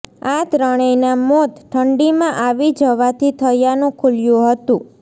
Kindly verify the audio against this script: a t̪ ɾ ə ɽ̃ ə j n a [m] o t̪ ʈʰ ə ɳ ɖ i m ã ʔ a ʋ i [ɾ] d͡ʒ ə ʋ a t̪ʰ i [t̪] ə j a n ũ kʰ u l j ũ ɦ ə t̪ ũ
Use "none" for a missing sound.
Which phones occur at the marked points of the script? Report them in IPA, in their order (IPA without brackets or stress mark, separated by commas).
m, none, t̪ʰ